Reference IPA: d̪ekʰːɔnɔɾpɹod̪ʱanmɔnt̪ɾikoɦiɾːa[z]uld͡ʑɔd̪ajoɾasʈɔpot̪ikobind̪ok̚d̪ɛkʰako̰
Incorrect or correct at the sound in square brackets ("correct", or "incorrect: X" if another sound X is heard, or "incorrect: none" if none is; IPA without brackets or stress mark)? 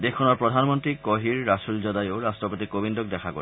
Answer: incorrect: s